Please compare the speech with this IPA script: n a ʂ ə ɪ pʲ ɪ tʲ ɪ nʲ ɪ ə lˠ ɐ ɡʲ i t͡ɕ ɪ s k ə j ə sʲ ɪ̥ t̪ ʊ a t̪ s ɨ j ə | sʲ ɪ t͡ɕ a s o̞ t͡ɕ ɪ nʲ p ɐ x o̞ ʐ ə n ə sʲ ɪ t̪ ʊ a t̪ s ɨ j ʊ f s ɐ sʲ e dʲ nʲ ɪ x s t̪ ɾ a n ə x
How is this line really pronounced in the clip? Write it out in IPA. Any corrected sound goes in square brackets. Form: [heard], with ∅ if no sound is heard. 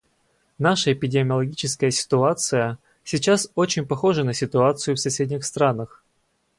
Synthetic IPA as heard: n a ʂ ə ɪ pʲ ɪ [dʲ] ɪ [mʲ] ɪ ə lˠ ɐ ɡʲ i t͡ɕ ɪ s k ə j ə sʲ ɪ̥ t̪ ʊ a t̪ s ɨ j ə | sʲ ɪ t͡ɕ a s o̞ t͡ɕ ɪ nʲ p ɐ x o̞ ʐ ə n ə sʲ ɪ t̪ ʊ a t̪ s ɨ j ʊ f s ɐ sʲ e dʲ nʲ ɪ x s t̪ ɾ a n ə x